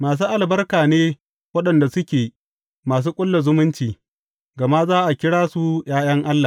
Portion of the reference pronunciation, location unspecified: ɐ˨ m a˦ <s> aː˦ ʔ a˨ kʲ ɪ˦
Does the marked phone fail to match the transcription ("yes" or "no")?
yes